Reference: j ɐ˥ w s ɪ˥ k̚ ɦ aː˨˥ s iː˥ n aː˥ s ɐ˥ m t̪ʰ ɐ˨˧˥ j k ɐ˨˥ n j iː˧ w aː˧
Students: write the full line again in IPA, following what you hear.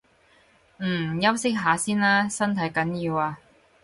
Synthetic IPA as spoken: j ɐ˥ w s ɪ˥ k̚ ɦ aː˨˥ s iː˥ n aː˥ s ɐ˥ n t̪ʰ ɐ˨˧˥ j k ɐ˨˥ n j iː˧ w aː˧